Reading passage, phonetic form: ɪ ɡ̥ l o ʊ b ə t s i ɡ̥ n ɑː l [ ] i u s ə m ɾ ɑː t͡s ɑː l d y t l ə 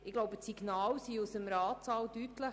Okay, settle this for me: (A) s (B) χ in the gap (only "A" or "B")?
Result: A